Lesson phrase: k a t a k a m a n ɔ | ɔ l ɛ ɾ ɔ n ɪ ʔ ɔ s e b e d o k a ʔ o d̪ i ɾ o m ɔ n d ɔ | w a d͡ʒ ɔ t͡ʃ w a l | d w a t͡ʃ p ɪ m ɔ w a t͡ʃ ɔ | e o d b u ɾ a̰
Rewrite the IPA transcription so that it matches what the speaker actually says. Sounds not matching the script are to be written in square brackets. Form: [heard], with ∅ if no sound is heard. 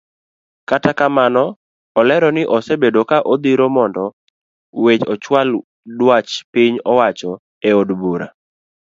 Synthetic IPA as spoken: k a t a k a m a n ɔ | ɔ l ɛ ɾ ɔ n ɪ ʔ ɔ s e b e d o k a ʔ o d̪ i ɾ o m ɔ n d ɔ | w [e] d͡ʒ ɔ t͡ʃ w a l | d w a t͡ʃ p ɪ [ɲ] ɔ w a t͡ʃ ɔ | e o d b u ɾ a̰